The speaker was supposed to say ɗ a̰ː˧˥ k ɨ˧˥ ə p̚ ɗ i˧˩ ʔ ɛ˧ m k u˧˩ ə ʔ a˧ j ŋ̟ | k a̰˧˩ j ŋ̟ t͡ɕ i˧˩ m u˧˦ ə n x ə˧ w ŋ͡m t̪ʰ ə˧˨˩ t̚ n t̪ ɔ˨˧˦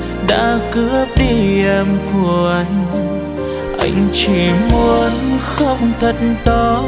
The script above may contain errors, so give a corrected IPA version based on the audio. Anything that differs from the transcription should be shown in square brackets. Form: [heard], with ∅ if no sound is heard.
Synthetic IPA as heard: ɗ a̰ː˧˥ k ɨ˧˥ ə p̚ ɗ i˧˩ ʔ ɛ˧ m k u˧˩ ə ʔ a˧ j ŋ̟ | [ʔ] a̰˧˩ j ŋ̟ t͡ɕ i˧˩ m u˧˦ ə n x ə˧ w ŋ͡m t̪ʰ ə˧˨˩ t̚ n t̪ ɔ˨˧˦